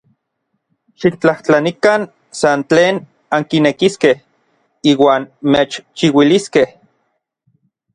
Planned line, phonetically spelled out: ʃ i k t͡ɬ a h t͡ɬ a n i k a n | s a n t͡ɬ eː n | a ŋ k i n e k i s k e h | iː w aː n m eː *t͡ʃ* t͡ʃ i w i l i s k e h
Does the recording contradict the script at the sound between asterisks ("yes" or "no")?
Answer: no